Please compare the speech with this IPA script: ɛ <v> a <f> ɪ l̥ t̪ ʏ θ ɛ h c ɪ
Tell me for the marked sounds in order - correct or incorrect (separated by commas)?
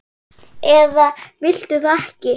incorrect, incorrect